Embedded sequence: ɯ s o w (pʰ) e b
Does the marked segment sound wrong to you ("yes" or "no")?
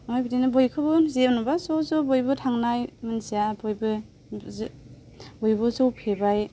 no